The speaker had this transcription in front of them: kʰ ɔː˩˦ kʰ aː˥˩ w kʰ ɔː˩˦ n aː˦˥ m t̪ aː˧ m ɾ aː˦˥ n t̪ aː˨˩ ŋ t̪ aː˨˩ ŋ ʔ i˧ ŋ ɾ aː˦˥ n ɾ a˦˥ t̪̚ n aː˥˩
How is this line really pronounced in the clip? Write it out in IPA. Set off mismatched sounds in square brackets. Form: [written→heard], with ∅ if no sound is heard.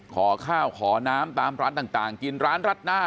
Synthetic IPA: kʰ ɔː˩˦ kʰ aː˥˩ w kʰ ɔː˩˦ n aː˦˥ m t̪ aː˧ m ɾ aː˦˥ n t̪ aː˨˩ ŋ t̪ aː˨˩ ŋ [ʔ→k] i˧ [ŋ→n] ɾ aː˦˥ n ɾ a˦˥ t̪̚ n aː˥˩